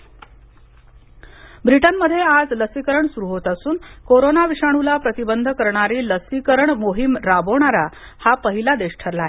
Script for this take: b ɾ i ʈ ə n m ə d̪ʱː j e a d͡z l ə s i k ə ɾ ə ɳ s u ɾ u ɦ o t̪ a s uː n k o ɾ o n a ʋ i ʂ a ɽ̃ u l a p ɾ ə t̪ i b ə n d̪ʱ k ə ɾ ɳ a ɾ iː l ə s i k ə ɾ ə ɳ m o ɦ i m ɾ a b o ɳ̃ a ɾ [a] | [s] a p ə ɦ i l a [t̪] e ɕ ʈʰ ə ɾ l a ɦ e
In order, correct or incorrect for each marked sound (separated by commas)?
correct, incorrect, incorrect